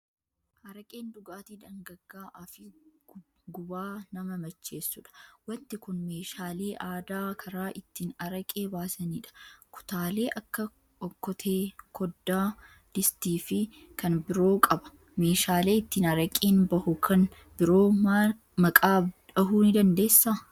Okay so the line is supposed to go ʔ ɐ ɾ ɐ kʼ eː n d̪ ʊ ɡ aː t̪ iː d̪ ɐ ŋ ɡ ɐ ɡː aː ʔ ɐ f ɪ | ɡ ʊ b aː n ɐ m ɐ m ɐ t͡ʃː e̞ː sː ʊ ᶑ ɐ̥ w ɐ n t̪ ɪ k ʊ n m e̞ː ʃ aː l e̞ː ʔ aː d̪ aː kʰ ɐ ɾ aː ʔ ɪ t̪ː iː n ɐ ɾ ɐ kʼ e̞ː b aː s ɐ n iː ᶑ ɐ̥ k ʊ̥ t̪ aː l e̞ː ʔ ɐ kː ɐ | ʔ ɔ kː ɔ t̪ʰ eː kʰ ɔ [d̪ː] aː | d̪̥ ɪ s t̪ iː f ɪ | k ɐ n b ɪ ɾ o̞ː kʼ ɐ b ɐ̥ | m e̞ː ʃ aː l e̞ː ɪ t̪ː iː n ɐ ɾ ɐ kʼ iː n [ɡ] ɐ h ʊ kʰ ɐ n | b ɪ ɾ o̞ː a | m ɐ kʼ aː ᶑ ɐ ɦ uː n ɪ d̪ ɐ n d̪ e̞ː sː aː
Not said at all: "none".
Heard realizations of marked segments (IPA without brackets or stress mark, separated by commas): d̪ː, b